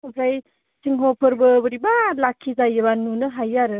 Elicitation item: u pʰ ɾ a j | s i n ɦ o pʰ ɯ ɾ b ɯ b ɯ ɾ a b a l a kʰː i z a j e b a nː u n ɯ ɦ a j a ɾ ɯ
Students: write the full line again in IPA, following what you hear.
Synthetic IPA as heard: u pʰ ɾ a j | s i ŋ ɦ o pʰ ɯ ɾ b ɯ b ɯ ɾ i b a l a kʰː i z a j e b a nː u n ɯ ɦ a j a ɾ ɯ